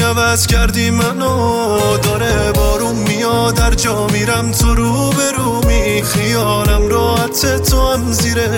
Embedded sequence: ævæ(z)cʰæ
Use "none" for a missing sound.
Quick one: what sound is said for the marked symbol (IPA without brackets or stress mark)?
z